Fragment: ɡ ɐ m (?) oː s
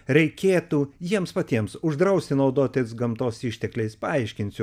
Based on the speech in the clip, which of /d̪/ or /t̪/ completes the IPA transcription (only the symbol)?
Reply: t̪